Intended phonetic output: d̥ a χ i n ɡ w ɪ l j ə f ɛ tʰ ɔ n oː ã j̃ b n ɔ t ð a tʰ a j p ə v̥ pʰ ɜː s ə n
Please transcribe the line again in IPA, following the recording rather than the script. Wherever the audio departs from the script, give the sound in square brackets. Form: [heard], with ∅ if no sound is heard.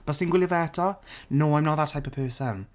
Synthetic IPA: [b̥] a [s] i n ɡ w ɪ l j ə [v] ɛ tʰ ɔ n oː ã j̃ [m] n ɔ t ð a tʰ a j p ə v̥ pʰ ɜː s ə n